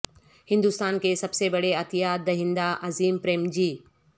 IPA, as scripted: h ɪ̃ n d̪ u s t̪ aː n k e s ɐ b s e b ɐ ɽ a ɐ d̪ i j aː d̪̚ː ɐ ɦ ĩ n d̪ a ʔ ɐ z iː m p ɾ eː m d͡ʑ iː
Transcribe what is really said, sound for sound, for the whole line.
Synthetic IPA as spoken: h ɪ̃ n d̪ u s t̪ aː n k e s ɐ b s e b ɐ ɽ e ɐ t̪ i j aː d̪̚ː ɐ ɦ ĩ n d̪ a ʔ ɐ z iː m p ɾ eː m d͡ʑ iː